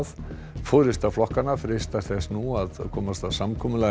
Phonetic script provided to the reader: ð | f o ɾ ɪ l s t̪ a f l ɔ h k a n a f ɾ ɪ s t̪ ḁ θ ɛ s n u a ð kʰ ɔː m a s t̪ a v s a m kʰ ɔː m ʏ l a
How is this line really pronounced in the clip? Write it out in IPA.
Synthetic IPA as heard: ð | f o ɾ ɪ s t̪ a f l ɔ h k a n a f ɾ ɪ s t̪ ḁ θ ɛ s n u a ð kʰ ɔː m a s t̪ a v s a m kʰ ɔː m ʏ l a